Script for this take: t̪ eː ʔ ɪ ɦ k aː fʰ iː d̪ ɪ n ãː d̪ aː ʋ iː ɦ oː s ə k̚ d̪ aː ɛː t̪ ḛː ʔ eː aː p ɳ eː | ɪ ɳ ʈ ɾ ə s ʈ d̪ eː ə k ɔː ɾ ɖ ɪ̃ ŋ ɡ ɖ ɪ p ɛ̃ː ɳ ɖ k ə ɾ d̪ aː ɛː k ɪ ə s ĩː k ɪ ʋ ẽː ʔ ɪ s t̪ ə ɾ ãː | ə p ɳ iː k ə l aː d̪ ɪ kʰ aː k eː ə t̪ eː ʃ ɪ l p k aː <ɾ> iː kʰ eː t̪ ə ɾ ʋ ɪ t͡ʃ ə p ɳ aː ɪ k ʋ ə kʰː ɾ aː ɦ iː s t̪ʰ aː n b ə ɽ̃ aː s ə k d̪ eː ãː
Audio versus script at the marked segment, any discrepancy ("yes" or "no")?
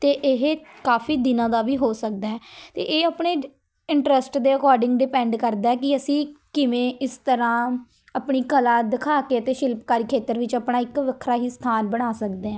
no